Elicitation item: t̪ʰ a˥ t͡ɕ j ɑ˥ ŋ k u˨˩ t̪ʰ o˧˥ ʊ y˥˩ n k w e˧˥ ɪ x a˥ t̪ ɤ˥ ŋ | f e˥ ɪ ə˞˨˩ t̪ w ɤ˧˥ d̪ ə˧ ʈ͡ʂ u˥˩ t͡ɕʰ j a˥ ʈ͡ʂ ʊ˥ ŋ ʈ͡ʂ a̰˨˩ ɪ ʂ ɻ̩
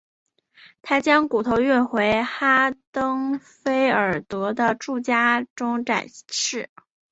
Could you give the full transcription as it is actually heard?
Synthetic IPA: t̪ʰ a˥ t͡ɕ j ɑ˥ ŋ k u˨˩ t̪ʰ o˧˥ ʊ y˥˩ n x w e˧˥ ɪ x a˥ t̪ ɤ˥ ŋ | f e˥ ɪ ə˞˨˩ t̪ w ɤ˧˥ d̪ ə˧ ʈ͡ʂ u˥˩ t͡ɕ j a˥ ʈ͡ʂ ʊ˥ ŋ ʈ͡ʂ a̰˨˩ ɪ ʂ ɻ̩